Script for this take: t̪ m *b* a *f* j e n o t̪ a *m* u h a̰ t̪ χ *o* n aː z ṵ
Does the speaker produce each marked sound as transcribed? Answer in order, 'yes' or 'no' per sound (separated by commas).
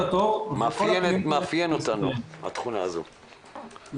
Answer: no, yes, no, no